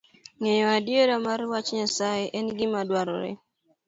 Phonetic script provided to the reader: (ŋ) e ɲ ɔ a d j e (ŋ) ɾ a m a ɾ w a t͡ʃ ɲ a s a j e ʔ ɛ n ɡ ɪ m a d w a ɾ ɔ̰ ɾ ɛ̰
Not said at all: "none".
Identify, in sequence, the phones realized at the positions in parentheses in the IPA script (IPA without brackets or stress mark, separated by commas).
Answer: ŋ, none